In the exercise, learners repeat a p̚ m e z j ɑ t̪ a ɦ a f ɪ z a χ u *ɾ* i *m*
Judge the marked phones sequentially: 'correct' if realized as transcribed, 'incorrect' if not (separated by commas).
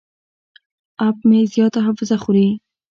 correct, incorrect